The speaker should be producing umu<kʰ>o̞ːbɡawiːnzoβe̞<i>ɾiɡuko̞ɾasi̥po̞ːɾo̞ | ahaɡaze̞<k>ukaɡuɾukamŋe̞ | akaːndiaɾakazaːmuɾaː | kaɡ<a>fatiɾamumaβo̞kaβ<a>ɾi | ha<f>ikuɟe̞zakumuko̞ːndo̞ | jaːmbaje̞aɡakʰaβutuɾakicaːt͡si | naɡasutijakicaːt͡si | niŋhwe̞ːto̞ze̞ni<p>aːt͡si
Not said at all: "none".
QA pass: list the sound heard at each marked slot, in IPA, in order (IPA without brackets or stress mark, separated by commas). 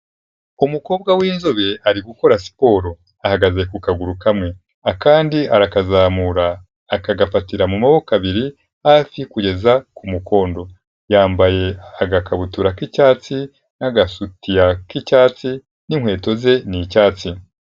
k, a, k, a, i, f, c